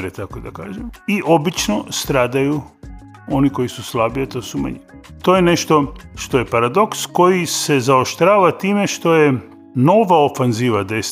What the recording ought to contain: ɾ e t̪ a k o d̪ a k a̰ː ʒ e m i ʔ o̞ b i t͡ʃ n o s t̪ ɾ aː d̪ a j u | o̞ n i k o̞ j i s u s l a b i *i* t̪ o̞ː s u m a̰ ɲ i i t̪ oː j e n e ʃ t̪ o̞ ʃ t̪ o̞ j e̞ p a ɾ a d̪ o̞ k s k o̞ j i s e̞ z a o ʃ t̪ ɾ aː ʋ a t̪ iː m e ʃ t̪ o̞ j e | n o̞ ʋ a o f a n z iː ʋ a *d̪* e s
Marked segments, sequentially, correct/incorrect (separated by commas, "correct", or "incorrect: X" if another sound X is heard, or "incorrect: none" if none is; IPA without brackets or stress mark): incorrect: a, correct